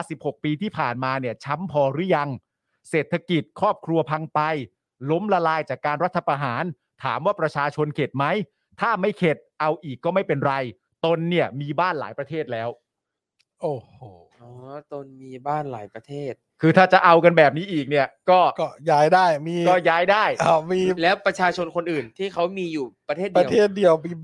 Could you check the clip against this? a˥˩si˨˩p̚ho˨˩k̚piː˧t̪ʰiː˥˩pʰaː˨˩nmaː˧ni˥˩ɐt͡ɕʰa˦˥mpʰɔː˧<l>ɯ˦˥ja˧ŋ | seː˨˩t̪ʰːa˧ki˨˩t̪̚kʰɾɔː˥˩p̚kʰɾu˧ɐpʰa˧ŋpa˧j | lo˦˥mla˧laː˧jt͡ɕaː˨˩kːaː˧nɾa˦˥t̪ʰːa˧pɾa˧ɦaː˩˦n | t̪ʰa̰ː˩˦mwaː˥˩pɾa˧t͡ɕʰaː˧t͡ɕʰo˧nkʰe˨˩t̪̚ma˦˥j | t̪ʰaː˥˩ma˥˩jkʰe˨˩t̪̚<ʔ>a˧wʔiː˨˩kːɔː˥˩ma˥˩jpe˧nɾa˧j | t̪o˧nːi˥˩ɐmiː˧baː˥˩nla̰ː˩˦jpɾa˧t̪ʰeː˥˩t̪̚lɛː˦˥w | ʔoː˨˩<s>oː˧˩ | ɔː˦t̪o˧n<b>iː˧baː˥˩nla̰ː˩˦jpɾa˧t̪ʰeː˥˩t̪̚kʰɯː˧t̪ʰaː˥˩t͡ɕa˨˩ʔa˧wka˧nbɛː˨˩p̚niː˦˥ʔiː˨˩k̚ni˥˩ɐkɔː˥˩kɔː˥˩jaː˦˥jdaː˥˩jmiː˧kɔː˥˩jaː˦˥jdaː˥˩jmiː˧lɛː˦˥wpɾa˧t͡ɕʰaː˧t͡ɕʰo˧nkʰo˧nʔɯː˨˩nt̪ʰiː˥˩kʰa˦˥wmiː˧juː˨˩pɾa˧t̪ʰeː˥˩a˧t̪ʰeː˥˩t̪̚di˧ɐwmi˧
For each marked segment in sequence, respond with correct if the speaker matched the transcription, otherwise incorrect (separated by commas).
incorrect, correct, incorrect, incorrect